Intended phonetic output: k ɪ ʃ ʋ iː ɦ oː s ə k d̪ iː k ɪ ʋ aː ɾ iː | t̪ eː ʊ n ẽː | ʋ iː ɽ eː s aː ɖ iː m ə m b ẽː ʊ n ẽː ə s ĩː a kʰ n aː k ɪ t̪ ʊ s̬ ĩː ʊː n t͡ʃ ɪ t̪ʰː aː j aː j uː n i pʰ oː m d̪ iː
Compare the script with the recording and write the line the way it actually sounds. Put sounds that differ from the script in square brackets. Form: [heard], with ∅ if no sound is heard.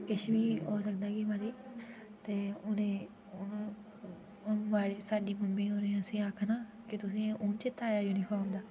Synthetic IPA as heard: k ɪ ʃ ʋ iː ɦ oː s ə k d̪ [aː] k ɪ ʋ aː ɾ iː | t̪ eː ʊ n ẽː | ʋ [aː] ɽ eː s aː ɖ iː m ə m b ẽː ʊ n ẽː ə s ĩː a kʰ n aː k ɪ t̪ ʊ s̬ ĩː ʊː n t͡ʃ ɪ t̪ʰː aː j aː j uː n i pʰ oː m d̪ [aː]